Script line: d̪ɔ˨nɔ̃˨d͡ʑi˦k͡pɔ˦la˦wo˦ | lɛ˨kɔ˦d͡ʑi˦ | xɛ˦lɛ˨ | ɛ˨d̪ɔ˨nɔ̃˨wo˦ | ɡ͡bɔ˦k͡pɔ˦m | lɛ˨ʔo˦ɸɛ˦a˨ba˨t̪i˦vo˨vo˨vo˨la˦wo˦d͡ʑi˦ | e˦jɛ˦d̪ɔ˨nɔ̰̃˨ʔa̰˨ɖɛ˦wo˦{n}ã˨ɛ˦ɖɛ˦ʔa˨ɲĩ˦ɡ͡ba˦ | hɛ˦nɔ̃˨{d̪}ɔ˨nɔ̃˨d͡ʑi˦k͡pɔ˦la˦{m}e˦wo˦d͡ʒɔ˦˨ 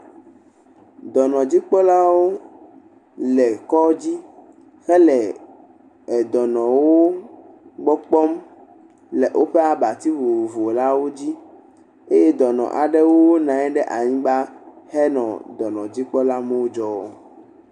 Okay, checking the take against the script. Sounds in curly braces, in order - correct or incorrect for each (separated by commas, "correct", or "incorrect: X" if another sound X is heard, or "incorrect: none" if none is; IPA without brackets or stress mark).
correct, correct, correct